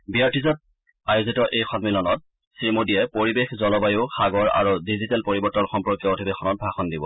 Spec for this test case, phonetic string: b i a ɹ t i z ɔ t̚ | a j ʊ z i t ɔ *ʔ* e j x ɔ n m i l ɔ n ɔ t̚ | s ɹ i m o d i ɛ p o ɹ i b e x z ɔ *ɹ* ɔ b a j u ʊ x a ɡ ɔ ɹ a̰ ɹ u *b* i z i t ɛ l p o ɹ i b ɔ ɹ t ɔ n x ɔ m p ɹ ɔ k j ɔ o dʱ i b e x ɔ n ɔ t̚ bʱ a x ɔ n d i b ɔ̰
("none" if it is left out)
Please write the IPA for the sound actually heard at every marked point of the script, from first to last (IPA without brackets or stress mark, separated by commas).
ʔ, l, d